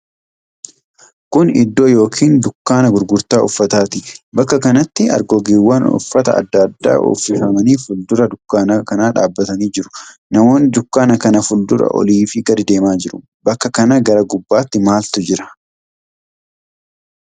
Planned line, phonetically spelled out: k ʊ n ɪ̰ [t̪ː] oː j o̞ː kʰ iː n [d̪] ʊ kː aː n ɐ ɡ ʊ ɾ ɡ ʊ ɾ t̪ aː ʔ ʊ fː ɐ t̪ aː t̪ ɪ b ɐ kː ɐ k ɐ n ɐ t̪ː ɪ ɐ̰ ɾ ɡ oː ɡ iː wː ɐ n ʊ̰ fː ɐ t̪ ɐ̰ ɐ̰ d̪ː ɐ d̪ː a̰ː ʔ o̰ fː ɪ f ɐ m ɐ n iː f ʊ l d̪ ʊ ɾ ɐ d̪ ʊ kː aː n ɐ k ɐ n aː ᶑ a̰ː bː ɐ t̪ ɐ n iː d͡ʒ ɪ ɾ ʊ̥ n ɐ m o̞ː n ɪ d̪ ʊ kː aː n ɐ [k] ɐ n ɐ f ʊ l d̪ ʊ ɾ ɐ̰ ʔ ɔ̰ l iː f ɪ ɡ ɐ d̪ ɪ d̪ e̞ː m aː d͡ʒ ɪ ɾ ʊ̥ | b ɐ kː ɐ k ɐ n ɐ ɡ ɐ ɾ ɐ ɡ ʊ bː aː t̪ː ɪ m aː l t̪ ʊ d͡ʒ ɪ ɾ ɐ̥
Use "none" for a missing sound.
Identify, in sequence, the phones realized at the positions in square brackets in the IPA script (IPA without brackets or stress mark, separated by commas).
d̪ː, d̪, k